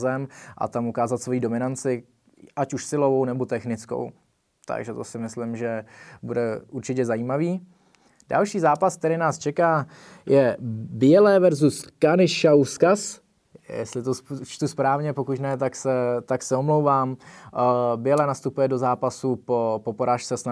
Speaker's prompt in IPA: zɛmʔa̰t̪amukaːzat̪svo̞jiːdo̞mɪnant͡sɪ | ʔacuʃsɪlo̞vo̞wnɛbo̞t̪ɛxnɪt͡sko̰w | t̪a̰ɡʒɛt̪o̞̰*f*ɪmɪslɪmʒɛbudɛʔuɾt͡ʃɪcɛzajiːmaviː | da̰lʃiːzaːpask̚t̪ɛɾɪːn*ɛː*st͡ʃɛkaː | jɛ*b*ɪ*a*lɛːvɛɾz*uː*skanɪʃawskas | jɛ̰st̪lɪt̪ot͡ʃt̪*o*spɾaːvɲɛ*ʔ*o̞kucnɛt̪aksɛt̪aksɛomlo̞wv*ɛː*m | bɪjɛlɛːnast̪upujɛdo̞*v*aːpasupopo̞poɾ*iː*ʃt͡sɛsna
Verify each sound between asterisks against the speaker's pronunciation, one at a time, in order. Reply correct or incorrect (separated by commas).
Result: incorrect, incorrect, correct, incorrect, incorrect, incorrect, incorrect, incorrect, incorrect, incorrect